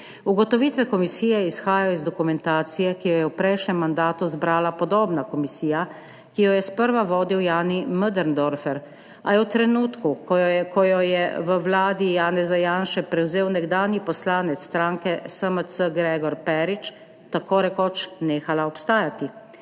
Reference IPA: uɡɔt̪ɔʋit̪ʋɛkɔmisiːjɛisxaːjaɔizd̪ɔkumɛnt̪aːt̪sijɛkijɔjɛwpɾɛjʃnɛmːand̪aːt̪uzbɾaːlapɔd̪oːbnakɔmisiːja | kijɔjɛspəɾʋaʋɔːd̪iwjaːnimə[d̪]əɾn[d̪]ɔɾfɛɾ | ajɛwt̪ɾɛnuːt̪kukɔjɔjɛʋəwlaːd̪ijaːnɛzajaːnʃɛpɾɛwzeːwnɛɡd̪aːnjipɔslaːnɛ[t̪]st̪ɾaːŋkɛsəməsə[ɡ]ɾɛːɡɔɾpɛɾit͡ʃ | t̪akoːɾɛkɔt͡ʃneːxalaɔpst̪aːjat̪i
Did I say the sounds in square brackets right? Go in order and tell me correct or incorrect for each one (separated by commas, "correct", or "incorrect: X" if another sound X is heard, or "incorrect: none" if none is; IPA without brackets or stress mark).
correct, correct, correct, correct